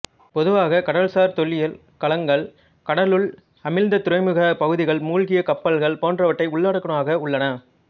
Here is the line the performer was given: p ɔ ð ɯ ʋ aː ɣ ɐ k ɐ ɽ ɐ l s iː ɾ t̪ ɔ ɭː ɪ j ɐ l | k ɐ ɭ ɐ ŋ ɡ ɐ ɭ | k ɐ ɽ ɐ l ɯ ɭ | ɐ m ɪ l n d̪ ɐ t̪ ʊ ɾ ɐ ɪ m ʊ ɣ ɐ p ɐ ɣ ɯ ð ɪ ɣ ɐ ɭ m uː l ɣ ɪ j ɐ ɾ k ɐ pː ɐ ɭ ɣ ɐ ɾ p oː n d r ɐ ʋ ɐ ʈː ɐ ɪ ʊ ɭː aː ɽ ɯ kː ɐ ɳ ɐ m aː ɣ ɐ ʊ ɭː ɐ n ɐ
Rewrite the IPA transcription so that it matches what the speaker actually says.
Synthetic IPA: p ɔ ð ɯ ʋ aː ɣ ɐ k ɐ ɽ ɐ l s aː ɾ t̪ ɔ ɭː ɪ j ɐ l | k ɐ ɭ ɐ ŋ ɡ ɐ ɭ | k ɐ ɽ ɐ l ɯ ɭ | ɐ m ɪ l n d̪ ɐ t̪ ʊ ɾ ɐ ɪ m ɯ ɣ ɐ p ɐ ɣ ɯ ð ɪ ɣ ɐ ɭ m uː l ɣ ɪ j ɐ k ɐ pː ɐ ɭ ɣ ɐ ɭ p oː n d r ɐ ʋ ɐ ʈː ɐ ɪ ʊ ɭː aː ɽ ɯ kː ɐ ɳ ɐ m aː ɣ ɐ ʊ ɭː ɐ n ɐ